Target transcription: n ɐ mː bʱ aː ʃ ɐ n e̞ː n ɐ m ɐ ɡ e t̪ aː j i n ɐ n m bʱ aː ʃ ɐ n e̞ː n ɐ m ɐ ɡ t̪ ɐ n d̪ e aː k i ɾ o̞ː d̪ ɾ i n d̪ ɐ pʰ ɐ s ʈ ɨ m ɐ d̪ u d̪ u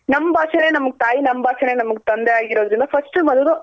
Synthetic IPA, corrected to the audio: n ɐ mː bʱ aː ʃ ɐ n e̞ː n ɐ m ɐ ɡ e t̪ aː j i n ɐ m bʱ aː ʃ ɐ n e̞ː n ɐ m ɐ ɡ t̪ ɐ n d̪ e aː ɡ i ɾ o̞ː d̪ ɾ i n d̪ ɐ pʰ ɐ s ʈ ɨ m ɐ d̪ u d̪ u